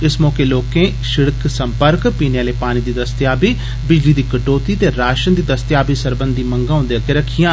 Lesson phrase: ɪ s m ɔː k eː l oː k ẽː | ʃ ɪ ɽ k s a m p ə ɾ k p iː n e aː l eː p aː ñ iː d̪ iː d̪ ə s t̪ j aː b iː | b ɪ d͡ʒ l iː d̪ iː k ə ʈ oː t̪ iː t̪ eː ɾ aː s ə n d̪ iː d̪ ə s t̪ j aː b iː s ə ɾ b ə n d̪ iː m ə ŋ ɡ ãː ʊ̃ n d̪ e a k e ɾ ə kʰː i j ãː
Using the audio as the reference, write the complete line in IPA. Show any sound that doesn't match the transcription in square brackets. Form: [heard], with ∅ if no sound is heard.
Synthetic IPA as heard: ɪ s m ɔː k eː l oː k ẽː | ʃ ɪ ɽ k s [ə] m p ə ɾ k p iː n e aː l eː p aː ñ iː d̪ iː d̪ ə s t̪ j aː b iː | b ɪ d͡ʒ l iː d̪ iː k ə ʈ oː t̪ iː t̪ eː ɾ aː [ʃ] ə n d̪ iː d̪ ə s t̪ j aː b iː s ə ɾ b ə n d̪ iː m ə ŋ ɡ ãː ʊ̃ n d̪ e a k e ɾ ə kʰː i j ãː

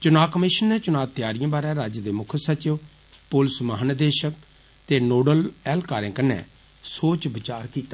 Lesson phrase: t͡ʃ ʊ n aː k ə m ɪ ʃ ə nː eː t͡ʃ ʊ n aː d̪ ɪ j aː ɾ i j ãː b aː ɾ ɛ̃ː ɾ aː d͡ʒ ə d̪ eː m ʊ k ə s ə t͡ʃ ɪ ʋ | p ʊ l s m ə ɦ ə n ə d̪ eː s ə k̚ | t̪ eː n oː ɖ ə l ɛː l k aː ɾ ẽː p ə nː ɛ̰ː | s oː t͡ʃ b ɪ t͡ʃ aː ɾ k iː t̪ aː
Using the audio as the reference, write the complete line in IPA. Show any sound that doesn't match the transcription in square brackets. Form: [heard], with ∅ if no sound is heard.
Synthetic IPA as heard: t͡ʃ ʊ n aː k ə m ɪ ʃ ə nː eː t͡ʃ ʊ n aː [t̪] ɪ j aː ɾ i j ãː b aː ɾ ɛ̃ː ɾ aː d͡ʒ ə d̪ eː m ʊ [kʰ] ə s ə t͡ʃ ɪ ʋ | p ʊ l s m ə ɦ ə n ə d̪ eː [ʃ] ə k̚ | t̪ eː n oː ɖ ə l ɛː l k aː ɾ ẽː [k] ə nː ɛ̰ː | s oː t͡ʃ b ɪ t͡ʃ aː ɾ k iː t̪ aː

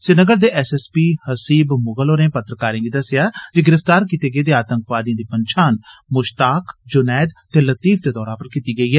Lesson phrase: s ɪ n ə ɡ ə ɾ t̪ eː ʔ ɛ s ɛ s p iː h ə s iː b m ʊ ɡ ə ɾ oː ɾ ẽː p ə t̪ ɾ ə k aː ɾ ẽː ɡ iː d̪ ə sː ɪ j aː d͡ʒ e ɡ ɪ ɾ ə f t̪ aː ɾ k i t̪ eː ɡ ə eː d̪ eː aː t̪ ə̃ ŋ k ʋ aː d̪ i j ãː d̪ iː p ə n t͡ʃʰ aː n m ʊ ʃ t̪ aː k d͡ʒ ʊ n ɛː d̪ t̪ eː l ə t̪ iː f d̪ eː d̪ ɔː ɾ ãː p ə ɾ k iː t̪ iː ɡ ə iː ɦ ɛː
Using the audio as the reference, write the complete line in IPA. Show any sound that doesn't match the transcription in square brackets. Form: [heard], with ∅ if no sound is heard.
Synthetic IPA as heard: s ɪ n ə ɡ ə ɾ [d̪] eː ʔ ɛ s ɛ s p iː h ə s iː b m ʊ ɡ ə [l] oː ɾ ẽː p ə t̪ ɾ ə k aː ɾ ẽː ɡ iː d̪ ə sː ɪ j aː d͡ʒ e ɡ ɪ ɾ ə f t̪ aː ɾ k i t̪ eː ɡ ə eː d̪ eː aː t̪ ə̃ ŋ k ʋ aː d̪ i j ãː d̪ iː p ə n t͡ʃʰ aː n m ʊ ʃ t̪ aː k d͡ʒ ʊ n ɛː d̪ t̪ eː l ə t̪ iː f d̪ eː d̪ ɔː ɾ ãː p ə ɾ k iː t̪ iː ɡ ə iː ɦ ɛː

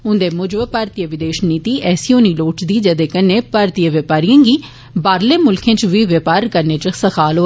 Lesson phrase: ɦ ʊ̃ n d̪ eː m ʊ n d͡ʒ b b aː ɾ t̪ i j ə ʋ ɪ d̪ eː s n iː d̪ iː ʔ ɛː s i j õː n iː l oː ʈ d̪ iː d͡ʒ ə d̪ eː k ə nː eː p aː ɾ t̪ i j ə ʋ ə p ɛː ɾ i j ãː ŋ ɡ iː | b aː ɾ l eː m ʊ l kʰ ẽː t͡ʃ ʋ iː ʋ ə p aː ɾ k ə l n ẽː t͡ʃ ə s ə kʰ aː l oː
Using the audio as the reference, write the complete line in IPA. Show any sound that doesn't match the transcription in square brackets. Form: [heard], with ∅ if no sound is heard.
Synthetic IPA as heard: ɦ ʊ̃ n d̪ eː m ʊ [∅] d͡ʒ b [p] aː ɾ t̪ i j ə ʋ ɪ d̪ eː [ʃ] n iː [t̪] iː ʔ ɛː s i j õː n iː l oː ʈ d̪ iː d͡ʒ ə d̪ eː k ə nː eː p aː ɾ t̪ i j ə ʋ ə p [aː] ɾ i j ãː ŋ ɡ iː | b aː ɾ l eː m ʊ l kʰ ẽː t͡ʃ ʋ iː ʋ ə p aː ɾ k ə [ɾ] n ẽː t͡ʃ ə s ə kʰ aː l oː

